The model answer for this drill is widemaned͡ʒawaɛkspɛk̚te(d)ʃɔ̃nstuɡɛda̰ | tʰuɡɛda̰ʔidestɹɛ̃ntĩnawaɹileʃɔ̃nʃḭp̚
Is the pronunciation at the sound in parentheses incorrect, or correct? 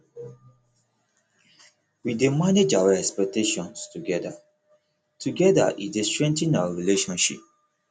incorrect